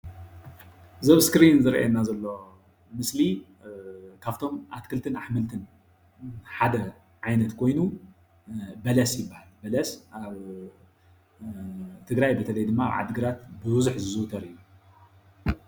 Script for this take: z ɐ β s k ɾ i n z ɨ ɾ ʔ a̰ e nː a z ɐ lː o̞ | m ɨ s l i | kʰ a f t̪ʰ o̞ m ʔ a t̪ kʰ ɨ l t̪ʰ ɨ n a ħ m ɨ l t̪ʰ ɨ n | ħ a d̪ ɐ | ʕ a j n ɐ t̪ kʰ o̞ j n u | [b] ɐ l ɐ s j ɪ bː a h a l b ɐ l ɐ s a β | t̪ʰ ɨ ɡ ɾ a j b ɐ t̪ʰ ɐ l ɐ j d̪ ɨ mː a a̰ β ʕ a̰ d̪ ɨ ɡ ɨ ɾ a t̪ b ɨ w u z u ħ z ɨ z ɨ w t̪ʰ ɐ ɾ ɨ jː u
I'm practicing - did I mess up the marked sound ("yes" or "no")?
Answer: no